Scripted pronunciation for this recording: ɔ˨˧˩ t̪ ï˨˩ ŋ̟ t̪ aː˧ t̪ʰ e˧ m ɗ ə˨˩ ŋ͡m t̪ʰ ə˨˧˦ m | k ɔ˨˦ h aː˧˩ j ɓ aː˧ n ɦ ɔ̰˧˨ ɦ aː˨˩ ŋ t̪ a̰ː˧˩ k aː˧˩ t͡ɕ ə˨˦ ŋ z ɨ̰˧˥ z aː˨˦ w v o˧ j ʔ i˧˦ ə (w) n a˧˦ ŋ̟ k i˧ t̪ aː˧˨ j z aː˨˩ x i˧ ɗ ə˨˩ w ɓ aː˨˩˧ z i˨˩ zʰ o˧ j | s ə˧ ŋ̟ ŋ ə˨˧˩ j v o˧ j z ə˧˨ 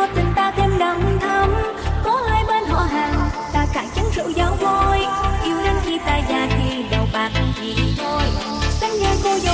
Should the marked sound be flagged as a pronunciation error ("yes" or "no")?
no